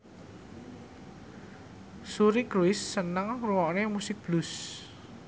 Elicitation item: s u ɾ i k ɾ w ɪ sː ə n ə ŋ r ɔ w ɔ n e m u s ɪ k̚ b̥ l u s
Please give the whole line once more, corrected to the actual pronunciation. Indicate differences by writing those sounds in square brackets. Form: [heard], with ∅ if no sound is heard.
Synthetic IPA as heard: s u ɾ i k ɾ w ɪ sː ə n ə ŋ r [u] w ɔ n e m u s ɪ k̚ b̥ l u s